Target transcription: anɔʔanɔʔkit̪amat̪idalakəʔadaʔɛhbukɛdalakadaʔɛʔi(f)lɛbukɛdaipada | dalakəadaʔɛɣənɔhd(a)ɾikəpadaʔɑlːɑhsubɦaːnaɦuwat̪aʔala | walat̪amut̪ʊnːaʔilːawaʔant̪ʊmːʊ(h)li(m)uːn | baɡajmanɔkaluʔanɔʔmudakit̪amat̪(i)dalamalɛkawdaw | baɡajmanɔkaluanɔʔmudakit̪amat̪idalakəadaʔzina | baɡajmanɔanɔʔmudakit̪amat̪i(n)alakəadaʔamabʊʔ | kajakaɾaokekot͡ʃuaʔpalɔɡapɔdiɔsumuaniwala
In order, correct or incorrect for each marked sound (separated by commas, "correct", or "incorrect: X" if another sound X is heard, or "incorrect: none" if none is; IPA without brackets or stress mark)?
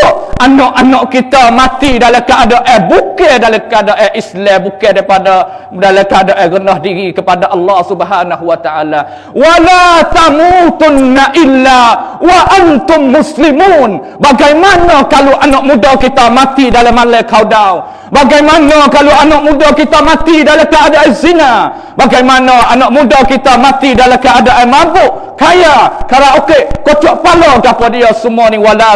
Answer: incorrect: s, incorrect: i, incorrect: s, correct, correct, incorrect: d